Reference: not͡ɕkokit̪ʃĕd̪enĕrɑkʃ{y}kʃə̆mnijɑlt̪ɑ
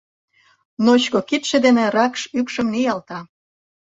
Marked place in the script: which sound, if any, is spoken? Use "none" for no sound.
y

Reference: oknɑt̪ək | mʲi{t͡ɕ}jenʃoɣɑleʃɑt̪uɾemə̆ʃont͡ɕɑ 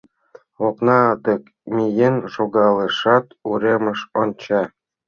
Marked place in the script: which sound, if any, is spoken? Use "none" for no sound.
none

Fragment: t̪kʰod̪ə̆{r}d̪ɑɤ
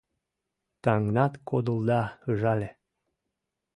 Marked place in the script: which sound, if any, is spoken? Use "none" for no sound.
l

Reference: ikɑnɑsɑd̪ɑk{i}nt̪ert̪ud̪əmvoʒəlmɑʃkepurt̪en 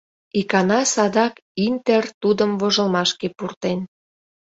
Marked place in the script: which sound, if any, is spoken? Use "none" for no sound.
i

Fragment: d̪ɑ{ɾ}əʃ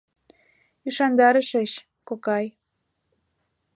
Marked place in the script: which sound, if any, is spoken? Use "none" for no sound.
ɾ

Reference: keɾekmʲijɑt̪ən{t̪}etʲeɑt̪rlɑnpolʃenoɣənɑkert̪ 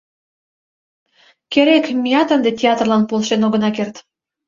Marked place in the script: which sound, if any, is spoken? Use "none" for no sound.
d̪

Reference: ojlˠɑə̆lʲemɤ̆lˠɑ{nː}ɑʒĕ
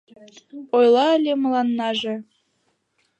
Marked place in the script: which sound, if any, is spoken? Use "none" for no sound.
nː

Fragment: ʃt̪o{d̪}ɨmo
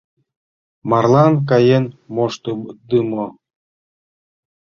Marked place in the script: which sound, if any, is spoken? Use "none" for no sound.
d̪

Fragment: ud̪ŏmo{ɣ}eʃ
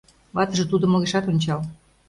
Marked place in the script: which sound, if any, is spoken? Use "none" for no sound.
ɣ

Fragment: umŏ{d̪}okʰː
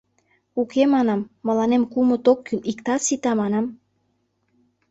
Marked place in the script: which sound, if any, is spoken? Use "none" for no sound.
t̪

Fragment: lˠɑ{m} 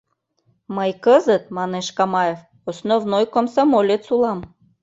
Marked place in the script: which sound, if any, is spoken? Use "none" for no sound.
m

